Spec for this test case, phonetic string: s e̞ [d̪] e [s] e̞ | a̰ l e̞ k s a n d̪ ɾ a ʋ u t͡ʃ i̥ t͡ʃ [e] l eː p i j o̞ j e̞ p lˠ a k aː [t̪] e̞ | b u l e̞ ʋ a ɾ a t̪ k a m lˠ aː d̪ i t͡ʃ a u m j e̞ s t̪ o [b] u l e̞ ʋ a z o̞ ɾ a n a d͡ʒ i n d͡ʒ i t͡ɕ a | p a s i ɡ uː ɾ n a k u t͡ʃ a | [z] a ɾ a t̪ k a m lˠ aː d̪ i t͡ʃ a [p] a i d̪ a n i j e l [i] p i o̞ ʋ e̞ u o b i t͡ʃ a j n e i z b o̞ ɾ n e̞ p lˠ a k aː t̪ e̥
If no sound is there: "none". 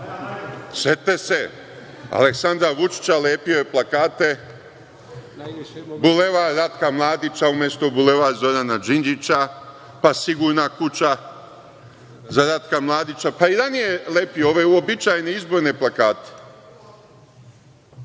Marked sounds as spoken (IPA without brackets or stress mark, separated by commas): t̪, s, a, t̪, b, z, p, e